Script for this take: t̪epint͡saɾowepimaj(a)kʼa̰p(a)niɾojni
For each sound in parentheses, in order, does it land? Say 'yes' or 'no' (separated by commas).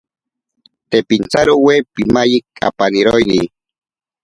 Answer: no, yes